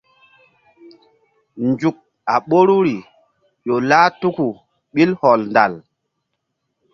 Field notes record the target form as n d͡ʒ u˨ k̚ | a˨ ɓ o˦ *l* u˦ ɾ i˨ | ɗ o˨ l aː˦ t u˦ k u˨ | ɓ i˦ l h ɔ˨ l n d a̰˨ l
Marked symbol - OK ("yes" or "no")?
no